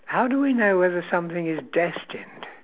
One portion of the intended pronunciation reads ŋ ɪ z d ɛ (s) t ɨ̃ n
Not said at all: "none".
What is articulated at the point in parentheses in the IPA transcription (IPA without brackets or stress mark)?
s